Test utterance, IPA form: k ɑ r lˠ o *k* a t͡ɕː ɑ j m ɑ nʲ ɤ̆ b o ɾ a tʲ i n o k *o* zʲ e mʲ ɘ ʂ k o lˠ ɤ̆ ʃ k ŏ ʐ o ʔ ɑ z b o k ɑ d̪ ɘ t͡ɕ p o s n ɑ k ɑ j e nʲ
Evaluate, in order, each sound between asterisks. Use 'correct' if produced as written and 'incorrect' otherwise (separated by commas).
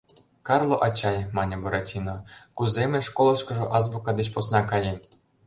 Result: incorrect, incorrect